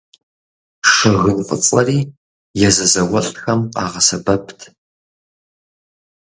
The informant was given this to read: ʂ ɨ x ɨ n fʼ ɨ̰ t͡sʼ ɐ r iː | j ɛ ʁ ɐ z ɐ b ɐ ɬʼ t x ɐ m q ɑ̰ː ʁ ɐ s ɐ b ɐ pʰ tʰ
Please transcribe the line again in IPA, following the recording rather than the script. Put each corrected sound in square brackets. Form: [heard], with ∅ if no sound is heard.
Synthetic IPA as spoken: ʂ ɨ [ɣ] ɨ n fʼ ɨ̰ t͡sʼ ɐ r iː | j ɛ [z] ɐ z ɐ [w] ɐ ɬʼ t x ɐ m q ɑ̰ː ʁ ɐ s ɐ b ɐ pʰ tʰ